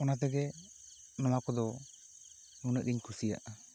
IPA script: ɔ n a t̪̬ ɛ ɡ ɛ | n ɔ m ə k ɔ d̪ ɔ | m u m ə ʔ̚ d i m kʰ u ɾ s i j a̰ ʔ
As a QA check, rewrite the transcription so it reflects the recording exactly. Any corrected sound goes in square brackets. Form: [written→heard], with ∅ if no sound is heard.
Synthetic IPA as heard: ɔ n a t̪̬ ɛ ɡ ɛ | n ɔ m [ə→a] k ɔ d̪ ɔ | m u [m→n] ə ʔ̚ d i [m→ɲ] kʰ u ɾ s i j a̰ ʔ